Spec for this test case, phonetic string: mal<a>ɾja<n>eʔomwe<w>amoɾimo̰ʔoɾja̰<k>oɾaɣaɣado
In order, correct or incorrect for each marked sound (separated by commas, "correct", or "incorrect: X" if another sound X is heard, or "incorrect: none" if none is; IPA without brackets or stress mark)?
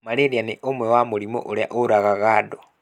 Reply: incorrect: e, correct, correct, incorrect: ʔ